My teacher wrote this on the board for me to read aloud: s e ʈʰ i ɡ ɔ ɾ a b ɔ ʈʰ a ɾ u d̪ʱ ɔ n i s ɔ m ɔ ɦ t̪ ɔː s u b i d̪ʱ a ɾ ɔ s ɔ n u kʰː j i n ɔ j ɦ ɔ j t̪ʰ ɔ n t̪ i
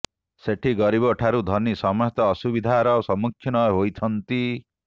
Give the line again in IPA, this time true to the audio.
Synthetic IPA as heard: s e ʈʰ i ɡ ɔ ɾ i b ɔ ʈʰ a ɾ u d̪ʱ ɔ n i s ɔ m ɔ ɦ t̪ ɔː s u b i d̪ʱ a ɾ ɔ s ɔ m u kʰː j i n ɔ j ɦ o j t̪ʰ ɔ n t̪ i

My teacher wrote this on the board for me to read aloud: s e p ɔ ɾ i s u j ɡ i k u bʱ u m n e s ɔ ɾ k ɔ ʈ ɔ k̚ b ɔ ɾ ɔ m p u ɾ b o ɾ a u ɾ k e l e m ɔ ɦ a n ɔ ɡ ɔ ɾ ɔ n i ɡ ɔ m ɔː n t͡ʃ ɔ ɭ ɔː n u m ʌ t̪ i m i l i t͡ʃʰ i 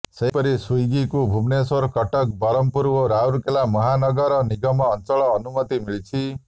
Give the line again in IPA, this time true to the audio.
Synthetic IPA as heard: s e p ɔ ɾ i s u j ɡ i k u bʱ u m n e s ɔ ɾ k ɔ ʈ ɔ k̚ b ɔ ɾ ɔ m p u ɾ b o ɾ a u ɾ k e l a m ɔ ɦ a n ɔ ɡ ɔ ɾ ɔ n i ɡ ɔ m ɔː n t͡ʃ ɔ ɭ ɔː n u m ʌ t̪ i m i ɭ i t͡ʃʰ i

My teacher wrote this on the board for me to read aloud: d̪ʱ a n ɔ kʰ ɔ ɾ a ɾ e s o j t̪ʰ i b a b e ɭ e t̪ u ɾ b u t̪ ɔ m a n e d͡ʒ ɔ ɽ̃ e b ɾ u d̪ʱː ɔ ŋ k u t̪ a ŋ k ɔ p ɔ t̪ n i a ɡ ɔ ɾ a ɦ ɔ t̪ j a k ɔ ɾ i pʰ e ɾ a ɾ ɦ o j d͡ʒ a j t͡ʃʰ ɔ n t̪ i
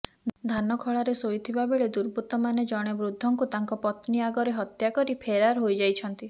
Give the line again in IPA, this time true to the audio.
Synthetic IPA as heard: d̪ʱ a n ɔ kʰ ɔ ɭ a ɾ e s o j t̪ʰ i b a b e ɭ e d̪ u ɾ b u t̪ ɔ m a n e d͡ʒ ɔ ɽ̃ e b ɾ u d̪ʱː ɔ ŋ k u t̪ a ŋ k ɔ p ɔ t̪ n i a ɡ ɔ ɾ e ɦ ɔ t̪ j a k ɔ ɾ i pʰ e ɾ a ɾ ɦ o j d͡ʒ a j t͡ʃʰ ɔ n t̪ i

